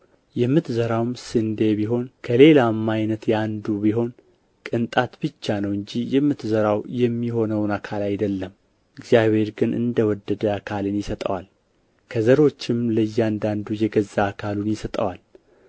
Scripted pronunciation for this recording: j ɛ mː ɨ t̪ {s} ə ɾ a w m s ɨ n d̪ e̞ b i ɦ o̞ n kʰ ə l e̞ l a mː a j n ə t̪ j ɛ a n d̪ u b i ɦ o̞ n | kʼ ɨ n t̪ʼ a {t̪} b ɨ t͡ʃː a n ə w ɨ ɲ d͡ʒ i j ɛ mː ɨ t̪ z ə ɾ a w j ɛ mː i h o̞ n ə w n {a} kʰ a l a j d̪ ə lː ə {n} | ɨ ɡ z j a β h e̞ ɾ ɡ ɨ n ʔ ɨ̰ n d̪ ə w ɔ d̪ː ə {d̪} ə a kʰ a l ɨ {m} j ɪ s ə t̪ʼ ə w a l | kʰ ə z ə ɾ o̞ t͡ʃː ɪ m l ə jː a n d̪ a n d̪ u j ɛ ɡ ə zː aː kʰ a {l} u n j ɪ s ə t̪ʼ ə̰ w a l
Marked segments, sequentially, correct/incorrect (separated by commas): incorrect, correct, correct, incorrect, correct, incorrect, correct